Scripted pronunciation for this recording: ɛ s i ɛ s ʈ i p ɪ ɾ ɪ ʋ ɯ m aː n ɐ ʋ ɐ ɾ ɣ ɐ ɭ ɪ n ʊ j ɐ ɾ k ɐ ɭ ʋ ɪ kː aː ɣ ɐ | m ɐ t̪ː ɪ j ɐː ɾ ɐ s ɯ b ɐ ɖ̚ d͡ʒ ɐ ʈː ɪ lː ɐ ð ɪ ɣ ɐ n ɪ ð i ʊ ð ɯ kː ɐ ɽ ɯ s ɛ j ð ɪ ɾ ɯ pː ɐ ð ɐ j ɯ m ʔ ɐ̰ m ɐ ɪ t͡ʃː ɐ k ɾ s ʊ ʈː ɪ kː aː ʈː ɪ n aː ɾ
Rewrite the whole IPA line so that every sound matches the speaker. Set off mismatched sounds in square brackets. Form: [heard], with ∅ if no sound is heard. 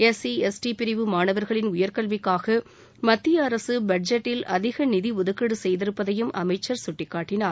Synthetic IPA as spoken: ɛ s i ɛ s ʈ i p ɪ ɾ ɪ ʋ ɯ m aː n ɐ ʋ ɐ ɾ ɣ ɐ ɭ ɪ n ʊ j ɐ ɾ k ɐ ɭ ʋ ɪ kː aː ɣ ɐ | m ɐ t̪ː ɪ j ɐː ɾ ɐ s ɯ b ɐ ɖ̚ d͡ʒ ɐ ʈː ɪ [l] ɐ ð ɪ ɣ ɐ n ɪ ð i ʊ ð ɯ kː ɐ ɽ ɯ s ɛ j ð ɪ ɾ ɯ pː ɐ ð ɐ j ɯ m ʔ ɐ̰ m ɐ ɪ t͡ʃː ɐ [∅] ɾ s ʊ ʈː ɪ kː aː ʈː ɪ n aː ɾ